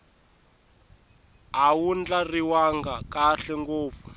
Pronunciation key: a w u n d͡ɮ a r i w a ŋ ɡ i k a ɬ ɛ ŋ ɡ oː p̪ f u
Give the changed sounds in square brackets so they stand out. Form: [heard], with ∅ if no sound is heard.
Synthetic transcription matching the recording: a w u n d͡ɮ a r i w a ŋ ɡ [a] k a ɬ ɛ ŋ ɡ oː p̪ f u